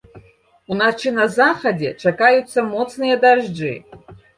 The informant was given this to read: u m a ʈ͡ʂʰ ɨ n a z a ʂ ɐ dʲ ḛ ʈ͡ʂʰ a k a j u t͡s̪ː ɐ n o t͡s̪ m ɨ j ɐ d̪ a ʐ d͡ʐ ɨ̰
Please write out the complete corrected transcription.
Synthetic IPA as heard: u n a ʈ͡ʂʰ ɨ n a z a χ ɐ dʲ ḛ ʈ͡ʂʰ a k a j u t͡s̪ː ɐ m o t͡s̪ n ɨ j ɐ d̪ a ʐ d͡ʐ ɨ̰